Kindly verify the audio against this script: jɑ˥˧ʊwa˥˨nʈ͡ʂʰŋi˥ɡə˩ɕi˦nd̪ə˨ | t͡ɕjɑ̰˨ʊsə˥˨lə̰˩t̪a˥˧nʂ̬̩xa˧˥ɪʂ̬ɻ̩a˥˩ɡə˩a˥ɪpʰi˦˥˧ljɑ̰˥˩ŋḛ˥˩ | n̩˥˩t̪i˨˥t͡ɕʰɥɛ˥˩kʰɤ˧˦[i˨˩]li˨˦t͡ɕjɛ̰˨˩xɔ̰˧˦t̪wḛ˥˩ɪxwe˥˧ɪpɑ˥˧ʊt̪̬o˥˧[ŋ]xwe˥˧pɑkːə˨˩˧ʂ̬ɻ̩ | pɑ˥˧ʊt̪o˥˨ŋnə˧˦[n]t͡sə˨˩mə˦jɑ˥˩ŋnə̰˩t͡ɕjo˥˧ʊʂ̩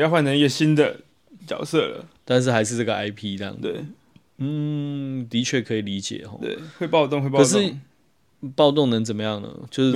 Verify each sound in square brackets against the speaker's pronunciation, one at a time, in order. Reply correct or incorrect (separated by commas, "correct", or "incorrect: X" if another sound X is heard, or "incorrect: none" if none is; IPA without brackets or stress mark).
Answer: correct, correct, incorrect: ŋ